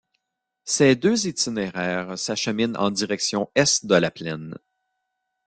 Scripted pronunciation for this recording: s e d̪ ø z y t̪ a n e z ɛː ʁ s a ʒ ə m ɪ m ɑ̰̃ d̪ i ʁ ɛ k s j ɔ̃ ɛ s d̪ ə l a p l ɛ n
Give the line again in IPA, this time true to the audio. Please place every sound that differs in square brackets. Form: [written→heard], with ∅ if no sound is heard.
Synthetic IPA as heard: s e d̪ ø z [y→i] t̪ [a→i] n e [z→ʁ] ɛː ʁ s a [ʒ→ʃ] ə m ɪ [m→n] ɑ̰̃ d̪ i ʁ ɛ k s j ɔ̃ ɛ s d̪ ə l a p l ɛ n